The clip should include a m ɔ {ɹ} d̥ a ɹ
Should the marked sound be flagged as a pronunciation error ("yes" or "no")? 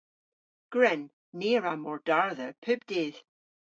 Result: no